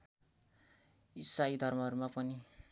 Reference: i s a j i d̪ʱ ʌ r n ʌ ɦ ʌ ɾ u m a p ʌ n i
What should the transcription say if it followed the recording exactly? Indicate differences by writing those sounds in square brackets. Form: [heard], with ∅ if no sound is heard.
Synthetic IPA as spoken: i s a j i d̪ʱ ʌ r [m] ʌ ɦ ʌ ɾ u m a p ʌ n i